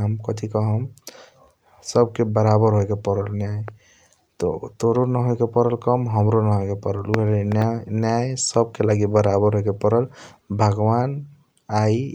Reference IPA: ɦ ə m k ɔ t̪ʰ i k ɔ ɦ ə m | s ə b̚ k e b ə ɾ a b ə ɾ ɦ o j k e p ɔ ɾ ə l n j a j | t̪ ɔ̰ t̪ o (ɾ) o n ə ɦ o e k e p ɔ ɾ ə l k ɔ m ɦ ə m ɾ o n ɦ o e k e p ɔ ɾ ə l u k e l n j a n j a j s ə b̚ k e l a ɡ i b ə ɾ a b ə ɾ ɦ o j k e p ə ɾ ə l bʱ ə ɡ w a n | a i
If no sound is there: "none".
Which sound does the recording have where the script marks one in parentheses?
ɾ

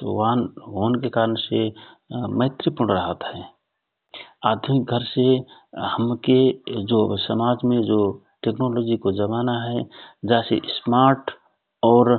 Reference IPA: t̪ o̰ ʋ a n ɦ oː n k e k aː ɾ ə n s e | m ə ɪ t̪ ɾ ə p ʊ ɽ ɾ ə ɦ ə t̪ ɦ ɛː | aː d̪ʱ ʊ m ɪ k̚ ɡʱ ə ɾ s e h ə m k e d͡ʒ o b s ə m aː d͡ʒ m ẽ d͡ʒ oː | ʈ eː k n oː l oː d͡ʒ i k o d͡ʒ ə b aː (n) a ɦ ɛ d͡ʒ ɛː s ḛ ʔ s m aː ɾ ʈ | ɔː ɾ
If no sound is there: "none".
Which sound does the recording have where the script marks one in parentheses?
n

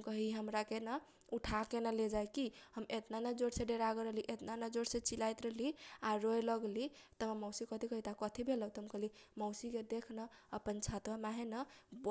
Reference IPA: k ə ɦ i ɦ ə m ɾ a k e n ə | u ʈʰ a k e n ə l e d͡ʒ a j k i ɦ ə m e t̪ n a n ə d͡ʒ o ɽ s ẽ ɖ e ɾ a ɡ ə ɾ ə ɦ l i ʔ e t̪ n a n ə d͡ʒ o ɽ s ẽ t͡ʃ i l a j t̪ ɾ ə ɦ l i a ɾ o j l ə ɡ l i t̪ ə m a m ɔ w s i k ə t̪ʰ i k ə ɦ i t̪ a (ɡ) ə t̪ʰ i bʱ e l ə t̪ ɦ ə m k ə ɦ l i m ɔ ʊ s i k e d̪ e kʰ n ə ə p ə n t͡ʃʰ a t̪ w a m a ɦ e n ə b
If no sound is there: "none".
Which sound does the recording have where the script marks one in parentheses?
k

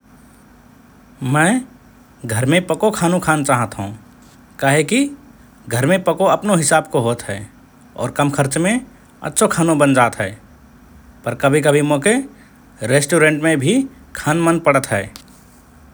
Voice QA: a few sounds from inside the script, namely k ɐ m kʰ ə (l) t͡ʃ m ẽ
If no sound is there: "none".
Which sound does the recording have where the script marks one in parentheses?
ɾ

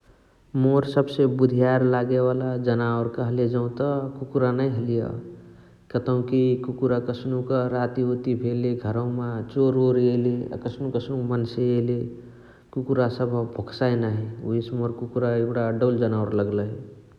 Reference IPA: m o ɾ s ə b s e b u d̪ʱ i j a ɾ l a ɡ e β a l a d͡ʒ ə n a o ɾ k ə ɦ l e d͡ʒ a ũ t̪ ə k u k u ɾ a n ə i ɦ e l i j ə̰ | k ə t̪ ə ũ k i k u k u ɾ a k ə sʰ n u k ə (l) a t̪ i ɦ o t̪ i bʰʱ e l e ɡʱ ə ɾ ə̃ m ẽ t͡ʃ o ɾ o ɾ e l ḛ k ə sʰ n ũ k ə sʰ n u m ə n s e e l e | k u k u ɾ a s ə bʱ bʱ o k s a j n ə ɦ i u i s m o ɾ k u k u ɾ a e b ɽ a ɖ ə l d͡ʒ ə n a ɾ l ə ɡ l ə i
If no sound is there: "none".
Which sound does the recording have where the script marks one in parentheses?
ɾ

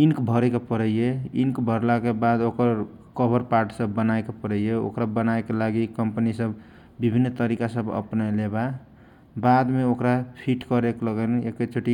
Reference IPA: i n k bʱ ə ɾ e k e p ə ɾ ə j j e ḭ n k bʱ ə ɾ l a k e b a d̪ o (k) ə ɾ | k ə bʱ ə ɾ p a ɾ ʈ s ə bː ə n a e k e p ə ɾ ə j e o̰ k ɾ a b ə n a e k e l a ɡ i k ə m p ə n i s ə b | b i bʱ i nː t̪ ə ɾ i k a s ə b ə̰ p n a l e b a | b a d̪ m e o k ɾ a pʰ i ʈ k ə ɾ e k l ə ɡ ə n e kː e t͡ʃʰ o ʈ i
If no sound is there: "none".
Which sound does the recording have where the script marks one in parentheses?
k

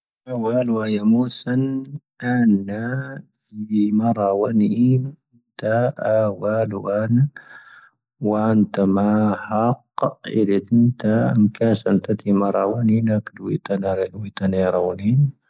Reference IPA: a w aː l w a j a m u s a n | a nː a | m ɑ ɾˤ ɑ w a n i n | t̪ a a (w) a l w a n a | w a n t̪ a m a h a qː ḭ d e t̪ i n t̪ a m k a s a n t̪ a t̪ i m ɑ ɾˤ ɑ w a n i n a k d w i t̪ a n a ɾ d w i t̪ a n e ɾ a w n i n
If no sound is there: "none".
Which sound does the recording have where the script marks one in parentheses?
w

